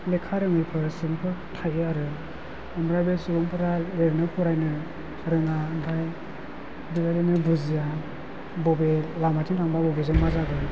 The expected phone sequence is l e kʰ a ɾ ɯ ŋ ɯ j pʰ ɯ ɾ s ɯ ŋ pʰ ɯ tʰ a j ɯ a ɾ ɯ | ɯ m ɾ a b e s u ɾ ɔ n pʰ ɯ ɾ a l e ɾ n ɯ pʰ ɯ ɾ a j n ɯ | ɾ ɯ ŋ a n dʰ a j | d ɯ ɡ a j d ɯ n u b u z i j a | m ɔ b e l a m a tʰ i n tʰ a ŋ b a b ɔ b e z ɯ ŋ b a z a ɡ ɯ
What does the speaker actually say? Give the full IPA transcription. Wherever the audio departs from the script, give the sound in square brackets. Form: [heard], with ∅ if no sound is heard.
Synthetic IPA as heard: l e kʰ a ɾ ɯ ŋ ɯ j pʰ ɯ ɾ s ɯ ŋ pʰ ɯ tʰ a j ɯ a ɾ ɯ | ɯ m ɾ a b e s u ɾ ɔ [ŋ] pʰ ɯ ɾ a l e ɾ n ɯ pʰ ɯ ɾ a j n ɯ | ɾ ɯ ŋ a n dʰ a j | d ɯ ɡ a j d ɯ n [ɯ] b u z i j a | [b] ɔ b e l a m a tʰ i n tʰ a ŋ b a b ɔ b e z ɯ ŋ [m] a z a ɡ ɯ

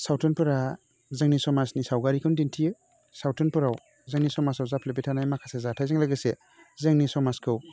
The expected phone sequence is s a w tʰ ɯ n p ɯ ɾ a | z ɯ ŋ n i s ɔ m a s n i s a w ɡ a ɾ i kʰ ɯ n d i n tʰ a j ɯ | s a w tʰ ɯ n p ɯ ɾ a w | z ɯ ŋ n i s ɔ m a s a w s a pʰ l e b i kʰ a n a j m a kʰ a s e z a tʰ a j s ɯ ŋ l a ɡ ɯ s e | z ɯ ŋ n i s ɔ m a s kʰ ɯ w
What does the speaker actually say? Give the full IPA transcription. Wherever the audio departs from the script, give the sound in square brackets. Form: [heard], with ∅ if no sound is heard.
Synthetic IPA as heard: s a w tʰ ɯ n p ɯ ɾ a | z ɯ ŋ n i s ɔ m a s n i s a w ɡ a ɾ i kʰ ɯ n d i n tʰ [i] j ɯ | s a w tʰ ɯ n p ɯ ɾ a w | z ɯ ŋ n i s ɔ m a s a w [z] a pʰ l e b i [tʰ] a n a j m a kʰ a s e z a tʰ a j [z] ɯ ŋ l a ɡ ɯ s e | z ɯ ŋ n i s ɔ m a s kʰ ɯ w

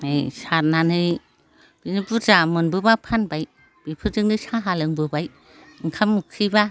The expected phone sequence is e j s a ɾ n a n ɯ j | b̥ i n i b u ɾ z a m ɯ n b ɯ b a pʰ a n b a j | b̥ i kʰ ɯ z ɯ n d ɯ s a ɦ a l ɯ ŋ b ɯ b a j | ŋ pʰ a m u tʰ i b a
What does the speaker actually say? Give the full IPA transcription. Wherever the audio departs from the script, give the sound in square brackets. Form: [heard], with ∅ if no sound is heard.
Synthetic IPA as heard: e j s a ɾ n a n ɯ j | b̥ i n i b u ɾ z a m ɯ n b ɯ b a pʰ a n b a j | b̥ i [pʰ] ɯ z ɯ [ŋ] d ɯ s a ɦ a l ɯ ŋ b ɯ b a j | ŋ [kʰ] a m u [kʰ] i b a

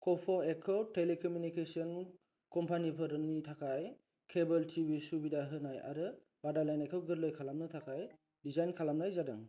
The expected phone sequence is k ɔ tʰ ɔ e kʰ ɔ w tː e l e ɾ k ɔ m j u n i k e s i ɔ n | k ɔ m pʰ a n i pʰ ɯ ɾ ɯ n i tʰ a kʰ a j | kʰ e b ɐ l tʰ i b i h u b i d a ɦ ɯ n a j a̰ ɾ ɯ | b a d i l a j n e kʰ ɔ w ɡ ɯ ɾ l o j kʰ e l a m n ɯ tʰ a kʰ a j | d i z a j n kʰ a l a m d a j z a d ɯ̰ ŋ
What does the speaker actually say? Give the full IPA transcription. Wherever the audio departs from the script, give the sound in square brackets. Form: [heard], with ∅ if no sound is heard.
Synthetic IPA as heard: k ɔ [pʰ] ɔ e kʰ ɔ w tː e l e [∅] k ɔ m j u n i k e s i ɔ n | k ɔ m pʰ a n i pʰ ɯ ɾ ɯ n i tʰ a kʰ a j | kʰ e b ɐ l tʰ i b i [s] u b i d a ɦ ɯ n a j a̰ ɾ ɯ | b a d [a] l a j n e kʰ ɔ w ɡ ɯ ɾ l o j kʰ [a] l a m n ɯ tʰ a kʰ a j | d i z a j n kʰ a l a m [n] a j z a d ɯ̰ ŋ

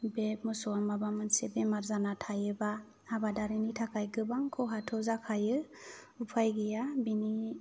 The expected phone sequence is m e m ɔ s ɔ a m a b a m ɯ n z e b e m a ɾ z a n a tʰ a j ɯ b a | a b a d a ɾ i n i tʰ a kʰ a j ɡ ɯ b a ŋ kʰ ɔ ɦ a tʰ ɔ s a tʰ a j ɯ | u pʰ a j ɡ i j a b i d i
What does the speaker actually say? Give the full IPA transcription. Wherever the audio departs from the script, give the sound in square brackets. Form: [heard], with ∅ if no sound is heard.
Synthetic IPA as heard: [b] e m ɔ s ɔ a m a b a m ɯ n [s] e b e m a ɾ z a n a tʰ a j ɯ b a | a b a d a ɾ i n i tʰ a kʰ a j ɡ ɯ b a ŋ kʰ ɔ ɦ a tʰ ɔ [z] a [kʰ] a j ɯ | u pʰ a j ɡ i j a b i [n] i

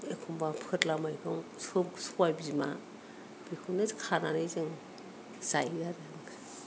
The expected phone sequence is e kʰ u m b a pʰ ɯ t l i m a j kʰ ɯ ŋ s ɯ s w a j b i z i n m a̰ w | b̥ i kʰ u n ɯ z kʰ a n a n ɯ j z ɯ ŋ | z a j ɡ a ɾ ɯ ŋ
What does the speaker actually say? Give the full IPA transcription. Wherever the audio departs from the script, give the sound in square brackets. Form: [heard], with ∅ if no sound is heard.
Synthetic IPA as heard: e kʰ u m b a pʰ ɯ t l [a] m a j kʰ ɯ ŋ s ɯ s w a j b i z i [∅] m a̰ [∅] | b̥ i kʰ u n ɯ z kʰ a n a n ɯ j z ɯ ŋ | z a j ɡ a ɾ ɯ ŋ

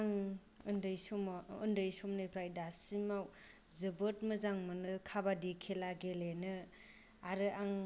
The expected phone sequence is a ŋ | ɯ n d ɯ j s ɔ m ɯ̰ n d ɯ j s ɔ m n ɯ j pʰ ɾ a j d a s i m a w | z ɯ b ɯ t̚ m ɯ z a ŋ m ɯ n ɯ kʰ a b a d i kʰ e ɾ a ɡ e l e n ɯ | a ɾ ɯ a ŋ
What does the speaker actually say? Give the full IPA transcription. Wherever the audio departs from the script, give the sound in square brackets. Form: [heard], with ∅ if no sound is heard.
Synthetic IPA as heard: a ŋ | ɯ n d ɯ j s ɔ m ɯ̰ n d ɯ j s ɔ m n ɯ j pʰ ɾ a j d a s i m a w | z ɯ b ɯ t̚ m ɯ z a ŋ m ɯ n ɯ kʰ a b a d i kʰ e [l] a ɡ e l e n ɯ | a ɾ ɯ a ŋ

